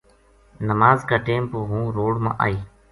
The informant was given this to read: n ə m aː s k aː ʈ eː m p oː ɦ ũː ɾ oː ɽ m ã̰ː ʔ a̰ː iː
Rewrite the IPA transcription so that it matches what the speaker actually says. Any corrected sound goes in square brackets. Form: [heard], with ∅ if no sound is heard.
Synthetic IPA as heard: n ə m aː [z] k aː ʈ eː m p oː ɦ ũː ɾ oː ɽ m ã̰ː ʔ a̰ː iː